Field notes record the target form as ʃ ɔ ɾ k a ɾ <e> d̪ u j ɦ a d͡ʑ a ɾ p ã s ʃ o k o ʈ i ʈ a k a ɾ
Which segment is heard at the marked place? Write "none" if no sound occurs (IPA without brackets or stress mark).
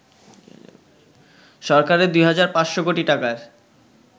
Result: e